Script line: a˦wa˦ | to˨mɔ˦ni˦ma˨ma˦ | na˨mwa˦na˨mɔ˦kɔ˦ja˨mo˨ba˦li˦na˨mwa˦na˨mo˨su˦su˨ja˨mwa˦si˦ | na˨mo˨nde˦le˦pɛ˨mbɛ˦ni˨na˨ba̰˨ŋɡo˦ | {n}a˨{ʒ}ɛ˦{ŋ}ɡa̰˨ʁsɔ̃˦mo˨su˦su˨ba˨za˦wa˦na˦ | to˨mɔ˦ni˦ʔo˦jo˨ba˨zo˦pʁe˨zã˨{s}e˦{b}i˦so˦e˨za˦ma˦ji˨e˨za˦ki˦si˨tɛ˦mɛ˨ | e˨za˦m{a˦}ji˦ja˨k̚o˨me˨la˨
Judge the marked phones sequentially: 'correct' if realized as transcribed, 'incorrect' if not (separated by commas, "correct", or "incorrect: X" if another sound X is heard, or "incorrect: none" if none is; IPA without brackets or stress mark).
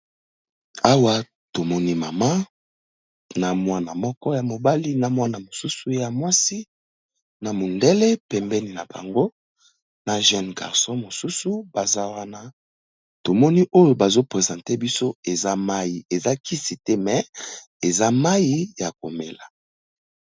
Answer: correct, correct, incorrect: n, incorrect: t, correct, correct